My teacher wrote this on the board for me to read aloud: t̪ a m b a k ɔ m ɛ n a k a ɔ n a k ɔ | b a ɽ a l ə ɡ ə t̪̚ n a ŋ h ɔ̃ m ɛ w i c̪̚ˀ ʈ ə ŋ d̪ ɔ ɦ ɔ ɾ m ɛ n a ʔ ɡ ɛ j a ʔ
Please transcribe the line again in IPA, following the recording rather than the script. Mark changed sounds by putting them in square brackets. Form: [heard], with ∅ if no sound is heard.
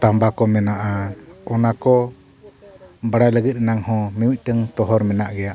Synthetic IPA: t̪ a m b a k ɔ m ɛ n a [ʔ] a ɔ n a k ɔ | b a ɽ a l ə ɡ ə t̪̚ n a ŋ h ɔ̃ m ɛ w i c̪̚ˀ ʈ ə ŋ [t̪] ɔ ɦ ɔ ɾ m ɛ n a ʔ ɡ ɛ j a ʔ